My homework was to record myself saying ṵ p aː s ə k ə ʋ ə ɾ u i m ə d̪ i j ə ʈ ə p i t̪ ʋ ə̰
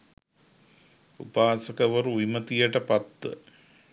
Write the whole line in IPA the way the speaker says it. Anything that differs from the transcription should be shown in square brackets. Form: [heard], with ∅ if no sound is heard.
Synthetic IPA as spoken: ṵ p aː s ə k ə ʋ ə ɾ u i m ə [t̪] i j ə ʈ ə p [a] t̪ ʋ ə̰